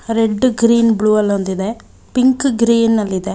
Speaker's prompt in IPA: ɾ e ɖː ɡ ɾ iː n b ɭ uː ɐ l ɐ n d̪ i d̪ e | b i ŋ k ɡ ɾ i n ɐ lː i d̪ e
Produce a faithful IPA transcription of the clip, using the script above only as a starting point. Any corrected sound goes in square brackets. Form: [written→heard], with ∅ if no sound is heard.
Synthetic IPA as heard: ɾ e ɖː ɡ ɾ iː n b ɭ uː ɐ l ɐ n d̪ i d̪ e | [b→p] i ŋ k ɡ ɾ [i→iː] n ɐ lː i d̪ e